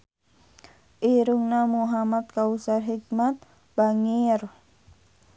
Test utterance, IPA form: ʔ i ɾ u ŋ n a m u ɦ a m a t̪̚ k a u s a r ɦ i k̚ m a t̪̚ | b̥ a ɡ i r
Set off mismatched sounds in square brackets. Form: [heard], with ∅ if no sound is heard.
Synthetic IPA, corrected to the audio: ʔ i ɾ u ŋ n a m u ɦ a m a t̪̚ k a u s a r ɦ i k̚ m a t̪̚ | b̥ a [ŋ] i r